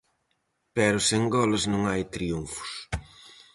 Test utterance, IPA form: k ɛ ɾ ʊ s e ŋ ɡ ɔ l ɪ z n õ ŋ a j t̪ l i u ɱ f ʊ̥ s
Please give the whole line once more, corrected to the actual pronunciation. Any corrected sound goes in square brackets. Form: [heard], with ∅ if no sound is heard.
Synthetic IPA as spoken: [p] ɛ ɾ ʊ s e ŋ ɡ ɔ l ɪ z n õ ŋ a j t̪ [ɾ] i u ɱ f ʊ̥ s